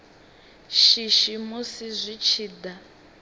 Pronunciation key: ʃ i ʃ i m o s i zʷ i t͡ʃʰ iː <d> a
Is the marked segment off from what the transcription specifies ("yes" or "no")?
no